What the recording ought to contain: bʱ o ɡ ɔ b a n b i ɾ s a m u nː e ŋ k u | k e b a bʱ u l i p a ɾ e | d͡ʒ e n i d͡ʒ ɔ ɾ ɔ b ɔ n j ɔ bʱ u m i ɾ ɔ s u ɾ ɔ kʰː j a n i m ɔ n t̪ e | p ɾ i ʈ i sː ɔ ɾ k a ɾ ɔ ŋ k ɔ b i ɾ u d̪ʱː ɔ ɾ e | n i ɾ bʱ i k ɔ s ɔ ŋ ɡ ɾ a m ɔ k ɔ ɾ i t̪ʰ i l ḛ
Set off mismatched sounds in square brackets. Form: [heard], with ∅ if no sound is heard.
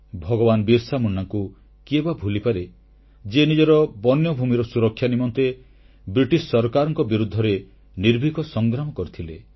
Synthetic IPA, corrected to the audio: bʱ [ɔ] ɡ ɔ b a n b i ɾ s a m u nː [a] ŋ k u | k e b a bʱ u l i p a ɾ e | d͡ʒ e n i d͡ʒ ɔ ɾ ɔ b ɔ n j ɔ bʱ u m i ɾ ɔ s u ɾ ɔ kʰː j a n i m ɔ n t̪ e | [b] ɾ i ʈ i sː ɔ ɾ k a ɾ ɔ ŋ k ɔ b i ɾ u d̪ʱː ɔ ɾ e | n i ɾ bʱ i k ɔ s ɔ ŋ ɡ ɾ a m ɔ k ɔ ɾ i t̪ʰ i l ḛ